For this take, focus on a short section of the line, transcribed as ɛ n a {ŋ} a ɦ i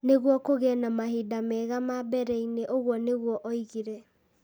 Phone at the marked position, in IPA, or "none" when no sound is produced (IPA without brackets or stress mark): m